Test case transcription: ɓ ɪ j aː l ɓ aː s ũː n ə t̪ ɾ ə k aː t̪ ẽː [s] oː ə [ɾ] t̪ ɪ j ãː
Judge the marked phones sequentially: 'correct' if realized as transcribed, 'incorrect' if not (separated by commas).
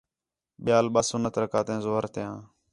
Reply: incorrect, correct